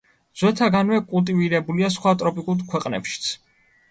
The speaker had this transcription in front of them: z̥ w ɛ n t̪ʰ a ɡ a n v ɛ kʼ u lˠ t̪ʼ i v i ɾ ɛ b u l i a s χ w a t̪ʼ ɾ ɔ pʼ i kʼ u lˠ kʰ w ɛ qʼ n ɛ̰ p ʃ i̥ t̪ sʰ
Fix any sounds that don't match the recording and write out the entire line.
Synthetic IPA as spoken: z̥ w ɛ t̪ʰ a ɡ a n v ɛ kʼ u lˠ t̪ʼ i v i ɾ ɛ b u l i a s χ w a t̪ʼ ɾ ɔ pʼ i kʼ u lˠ kʰ w ɛ qʼ n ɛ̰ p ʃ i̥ t̪ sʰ